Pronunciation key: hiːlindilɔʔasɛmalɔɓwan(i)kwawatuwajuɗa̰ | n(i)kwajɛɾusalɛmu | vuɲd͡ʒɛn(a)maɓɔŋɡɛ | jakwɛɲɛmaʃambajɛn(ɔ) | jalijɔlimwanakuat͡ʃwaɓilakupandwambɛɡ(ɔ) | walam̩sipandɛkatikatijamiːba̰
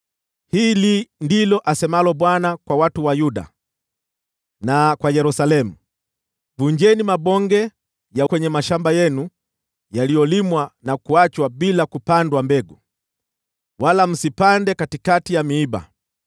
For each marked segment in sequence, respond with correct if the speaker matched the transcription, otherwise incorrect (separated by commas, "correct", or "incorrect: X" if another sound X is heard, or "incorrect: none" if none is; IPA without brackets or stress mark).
incorrect: a, incorrect: a, incorrect: i, incorrect: u, incorrect: u